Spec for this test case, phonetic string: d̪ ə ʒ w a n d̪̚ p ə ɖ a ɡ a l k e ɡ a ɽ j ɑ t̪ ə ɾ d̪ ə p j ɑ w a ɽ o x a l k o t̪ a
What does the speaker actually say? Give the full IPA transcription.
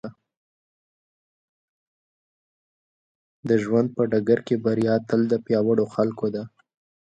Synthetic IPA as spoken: d̪ ə ʒ w a n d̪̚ p ə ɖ a ɡ a ɾ k e b a ɾ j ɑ t̪ ə l d̪ ə p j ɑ w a ɽ o x a l k o d̪ a